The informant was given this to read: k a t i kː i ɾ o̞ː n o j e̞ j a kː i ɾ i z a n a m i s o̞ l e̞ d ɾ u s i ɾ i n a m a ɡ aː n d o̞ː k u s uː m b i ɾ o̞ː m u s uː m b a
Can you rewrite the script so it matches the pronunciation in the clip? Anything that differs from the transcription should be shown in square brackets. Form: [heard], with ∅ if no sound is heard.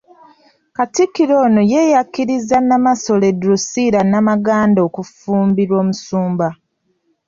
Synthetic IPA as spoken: k a t i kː i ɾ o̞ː n o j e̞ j a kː i ɾ i z a n a m [a] s o̞ l e̞ d ɾ u s i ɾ [a] n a m a ɡ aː n d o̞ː k u [f] uː m b i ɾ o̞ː m u s uː m b a